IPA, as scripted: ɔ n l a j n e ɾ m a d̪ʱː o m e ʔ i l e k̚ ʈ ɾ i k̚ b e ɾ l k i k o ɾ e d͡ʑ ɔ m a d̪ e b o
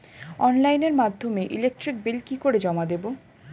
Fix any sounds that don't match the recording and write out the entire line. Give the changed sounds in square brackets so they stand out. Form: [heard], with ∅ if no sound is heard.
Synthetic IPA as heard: ɔ n l a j n e ɾ m a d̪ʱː o m e ʔ i l e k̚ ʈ ɾ i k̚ b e [∅] l k i k o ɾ e d͡ʑ ɔ m a d̪ e b o